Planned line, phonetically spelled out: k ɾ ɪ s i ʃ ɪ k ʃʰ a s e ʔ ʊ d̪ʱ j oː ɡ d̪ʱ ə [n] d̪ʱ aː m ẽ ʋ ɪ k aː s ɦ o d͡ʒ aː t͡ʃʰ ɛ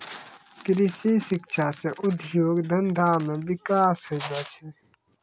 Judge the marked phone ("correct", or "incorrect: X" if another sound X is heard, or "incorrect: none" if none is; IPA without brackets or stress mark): correct